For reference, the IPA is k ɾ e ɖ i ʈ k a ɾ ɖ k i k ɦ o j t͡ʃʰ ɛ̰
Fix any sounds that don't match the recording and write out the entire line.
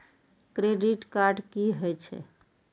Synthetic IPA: k ɾ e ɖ i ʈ k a ɾ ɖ k i ɦ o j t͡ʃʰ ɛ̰